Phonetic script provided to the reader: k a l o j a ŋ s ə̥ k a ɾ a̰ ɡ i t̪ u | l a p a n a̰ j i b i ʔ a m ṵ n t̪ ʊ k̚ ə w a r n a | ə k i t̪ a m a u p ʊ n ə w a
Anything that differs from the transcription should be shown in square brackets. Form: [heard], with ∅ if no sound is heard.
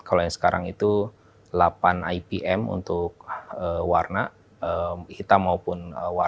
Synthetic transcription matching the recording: k a l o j a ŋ s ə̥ k a ɾ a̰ [ŋ] i t̪ u | l a p a n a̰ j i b i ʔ [ɛ] m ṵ n t̪ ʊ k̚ ə w a r n a | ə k i t̪ a m a u p ʊ n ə w a

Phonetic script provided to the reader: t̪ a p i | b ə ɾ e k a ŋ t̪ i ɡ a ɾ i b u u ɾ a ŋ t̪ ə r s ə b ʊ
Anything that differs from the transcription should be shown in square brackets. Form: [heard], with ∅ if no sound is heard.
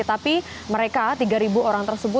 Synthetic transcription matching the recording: t̪ a p i | [m] ə ɾ e k a [∅] t̪ i ɡ a ɾ i b u [o] ɾ a ŋ t̪ ə r s ə b ʊ

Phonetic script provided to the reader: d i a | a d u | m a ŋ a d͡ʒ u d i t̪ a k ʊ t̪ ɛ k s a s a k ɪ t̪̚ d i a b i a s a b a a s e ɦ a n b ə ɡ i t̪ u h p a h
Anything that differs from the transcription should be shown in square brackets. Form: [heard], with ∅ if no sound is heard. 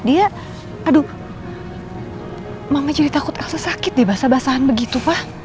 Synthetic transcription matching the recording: d i a | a d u | m a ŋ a d͡ʒ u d i t̪ a k ʊ t̪ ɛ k s a s a k ɪ t̪̚ d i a b [a] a s a b a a s [a] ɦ a n b ə ɡ i t̪ u [∅] p a h

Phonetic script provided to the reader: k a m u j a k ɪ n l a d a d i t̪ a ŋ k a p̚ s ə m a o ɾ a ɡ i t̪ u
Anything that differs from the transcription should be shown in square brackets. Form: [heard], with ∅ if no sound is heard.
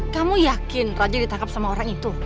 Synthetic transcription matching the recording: k a m u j a k ɪ n [r] a [d͡ʒ] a d i t̪ a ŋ k a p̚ s [a] m a o ɾ a [ŋ] i t̪ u

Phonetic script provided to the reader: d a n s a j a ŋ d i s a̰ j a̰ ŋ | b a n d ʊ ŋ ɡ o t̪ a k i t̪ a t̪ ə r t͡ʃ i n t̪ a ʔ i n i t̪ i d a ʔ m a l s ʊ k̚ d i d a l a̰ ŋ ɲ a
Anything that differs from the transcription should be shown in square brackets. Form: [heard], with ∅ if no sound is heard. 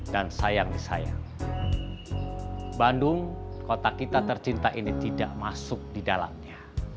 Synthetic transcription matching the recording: d a n s a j a ŋ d i s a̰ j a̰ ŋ | b a n d ʊ ŋ [k] o t̪ a k i t̪ a t̪ ə r t͡ʃ i n t̪ a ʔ i n i t̪ i d a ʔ m a [∅] s ʊ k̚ d i d a l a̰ [m] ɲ a

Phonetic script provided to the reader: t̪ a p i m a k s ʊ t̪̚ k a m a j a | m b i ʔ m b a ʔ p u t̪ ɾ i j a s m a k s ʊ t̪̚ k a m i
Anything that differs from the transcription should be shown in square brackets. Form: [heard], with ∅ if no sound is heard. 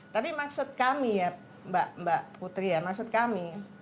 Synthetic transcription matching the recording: t̪ a p i m a k s ʊ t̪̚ k a m [i] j a | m b [a] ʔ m b a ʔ p u t̪ ɾ i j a [∅] m a k s ʊ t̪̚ k a m i

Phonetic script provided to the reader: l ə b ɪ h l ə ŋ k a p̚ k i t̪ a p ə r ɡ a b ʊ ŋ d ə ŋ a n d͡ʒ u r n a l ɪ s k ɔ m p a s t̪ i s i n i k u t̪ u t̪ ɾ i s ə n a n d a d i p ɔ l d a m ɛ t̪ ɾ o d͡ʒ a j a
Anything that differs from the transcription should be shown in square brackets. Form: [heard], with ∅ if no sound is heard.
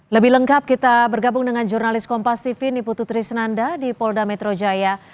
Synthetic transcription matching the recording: l ə b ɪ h l ə ŋ k a p̚ k i t̪ a [b] ə r ɡ a b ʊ ŋ d ə ŋ a n d͡ʒ u r n a l ɪ s k ɔ m p a s t̪ i [f] i n i [p] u t̪ u t̪ ɾ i s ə n a n d a d i p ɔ l d a m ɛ t̪ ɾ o d͡ʒ a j a

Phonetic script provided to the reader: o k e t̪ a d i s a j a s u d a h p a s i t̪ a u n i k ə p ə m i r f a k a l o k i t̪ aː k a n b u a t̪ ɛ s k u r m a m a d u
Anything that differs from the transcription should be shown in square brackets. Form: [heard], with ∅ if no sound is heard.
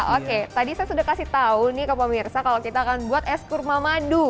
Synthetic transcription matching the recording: o k e t̪ a d i s a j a s u d a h [k] a s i t̪ a u n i k ə p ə m i r [s] a k a l o k i t̪ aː k a n b u a t̪ ɛ s k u r m a m a d u

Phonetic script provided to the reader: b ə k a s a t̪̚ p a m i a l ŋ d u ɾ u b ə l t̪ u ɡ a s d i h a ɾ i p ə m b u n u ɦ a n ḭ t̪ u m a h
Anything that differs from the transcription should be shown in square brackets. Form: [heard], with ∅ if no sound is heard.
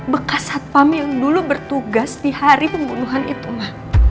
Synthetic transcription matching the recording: b ə k a s a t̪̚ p a m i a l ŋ d u [l] u b ə [r] t̪ u ɡ a s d i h a ɾ i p ə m b u n u ɦ a n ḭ t̪ u m a h

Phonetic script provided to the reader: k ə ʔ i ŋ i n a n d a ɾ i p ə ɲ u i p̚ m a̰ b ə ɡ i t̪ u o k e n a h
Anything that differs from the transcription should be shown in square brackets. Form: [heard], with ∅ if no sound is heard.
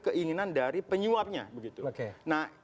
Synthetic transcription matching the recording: k ə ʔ i ŋ i n a n d a ɾ i p ə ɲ u [a] p̚ [ɲ] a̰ b ə ɡ i t̪ u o k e n a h

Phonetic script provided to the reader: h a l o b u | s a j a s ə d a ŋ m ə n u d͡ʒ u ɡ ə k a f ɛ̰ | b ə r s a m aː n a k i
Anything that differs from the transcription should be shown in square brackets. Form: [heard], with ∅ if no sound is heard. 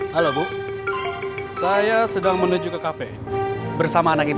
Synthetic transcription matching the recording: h a l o b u | s a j a s ə d a ŋ m ə n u d͡ʒ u [k] ə k a f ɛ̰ | b ə r s a m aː n a k i

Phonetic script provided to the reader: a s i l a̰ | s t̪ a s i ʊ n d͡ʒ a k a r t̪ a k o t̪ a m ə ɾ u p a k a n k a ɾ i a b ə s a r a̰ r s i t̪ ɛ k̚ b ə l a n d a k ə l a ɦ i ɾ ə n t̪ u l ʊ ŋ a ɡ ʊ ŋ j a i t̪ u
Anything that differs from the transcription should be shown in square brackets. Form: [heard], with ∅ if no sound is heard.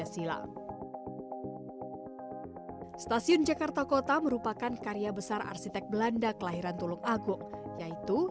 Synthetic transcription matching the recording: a s i l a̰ | s t̪ a s i ʊ n d͡ʒ a k a r t̪ a k o t̪ a m ə ɾ u p a k a n k a ɾ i a b ə s a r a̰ r s i t̪ ɛ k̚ b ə l a n d a k ə l a ɦ i ɾ [a] n t̪ u l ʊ ŋ a ɡ ʊ ŋ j a i t̪ u

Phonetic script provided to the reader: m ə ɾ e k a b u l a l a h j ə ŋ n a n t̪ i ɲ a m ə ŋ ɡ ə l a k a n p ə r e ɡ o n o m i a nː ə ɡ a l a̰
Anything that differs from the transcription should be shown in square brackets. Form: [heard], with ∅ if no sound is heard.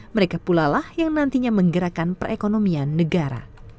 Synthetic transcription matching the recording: m ə ɾ e k a [p] u l a l a h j [a] ŋ n a n t̪ i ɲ a m ə ŋ ɡ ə [ɾ] a k a n p ə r e [k] o n o m i a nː ə ɡ a [ɾ] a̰

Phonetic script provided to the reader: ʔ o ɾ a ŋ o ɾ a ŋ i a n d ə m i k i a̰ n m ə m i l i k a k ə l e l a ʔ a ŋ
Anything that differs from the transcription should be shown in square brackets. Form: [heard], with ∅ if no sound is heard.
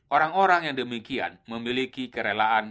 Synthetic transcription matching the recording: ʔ o ɾ a ŋ o ɾ a ŋ [j] a [ŋ] d ə m i k i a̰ n m ə m i l i k [i] k ə [ɾ] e l a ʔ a [n]

